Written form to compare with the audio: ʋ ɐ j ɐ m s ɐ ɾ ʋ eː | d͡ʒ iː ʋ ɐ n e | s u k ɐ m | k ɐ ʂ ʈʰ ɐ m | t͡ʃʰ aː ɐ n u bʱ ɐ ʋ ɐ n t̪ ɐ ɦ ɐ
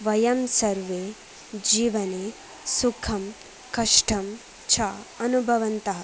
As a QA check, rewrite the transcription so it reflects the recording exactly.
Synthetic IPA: ʋ ɐ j ɐ m s ɐ ɾ ʋ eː | d͡ʒ iː ʋ ɐ n e | s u kʰ ɐ m | k ɐ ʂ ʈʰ ɐ m | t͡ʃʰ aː ɐ n u bʱ ɐ ʋ ɐ n t̪ ɐ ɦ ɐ